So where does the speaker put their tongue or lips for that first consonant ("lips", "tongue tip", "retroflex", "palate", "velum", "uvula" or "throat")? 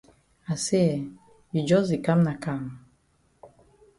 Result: tongue tip